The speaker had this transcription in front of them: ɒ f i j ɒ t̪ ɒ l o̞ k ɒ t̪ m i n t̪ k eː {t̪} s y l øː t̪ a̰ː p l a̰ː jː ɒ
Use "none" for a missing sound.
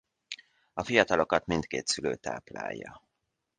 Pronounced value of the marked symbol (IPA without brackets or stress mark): t̪